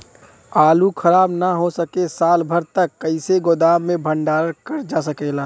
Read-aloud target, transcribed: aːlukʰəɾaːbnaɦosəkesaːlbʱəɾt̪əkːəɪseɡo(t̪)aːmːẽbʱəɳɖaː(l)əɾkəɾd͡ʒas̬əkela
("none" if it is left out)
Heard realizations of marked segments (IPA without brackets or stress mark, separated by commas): d̪, ɾ